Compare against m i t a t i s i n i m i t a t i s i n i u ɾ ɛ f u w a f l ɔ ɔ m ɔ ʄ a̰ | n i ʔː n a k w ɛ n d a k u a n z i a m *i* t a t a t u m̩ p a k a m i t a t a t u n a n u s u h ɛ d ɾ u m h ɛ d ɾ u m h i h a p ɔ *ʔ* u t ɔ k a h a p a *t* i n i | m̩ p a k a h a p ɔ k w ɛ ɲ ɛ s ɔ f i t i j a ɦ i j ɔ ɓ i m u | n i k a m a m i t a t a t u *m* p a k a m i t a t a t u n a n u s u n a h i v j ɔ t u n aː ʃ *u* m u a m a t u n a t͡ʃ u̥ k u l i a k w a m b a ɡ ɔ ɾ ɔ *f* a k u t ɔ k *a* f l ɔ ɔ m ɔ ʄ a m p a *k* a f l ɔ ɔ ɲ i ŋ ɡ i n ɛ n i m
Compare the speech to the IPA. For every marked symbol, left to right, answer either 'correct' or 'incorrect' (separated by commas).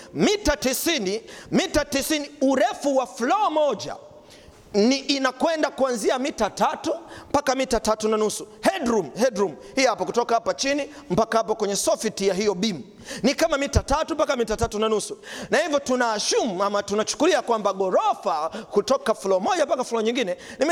correct, incorrect, incorrect, correct, correct, correct, correct, correct